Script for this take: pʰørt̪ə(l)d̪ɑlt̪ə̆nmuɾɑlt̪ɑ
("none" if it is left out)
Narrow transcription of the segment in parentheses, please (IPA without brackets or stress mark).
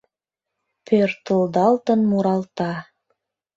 l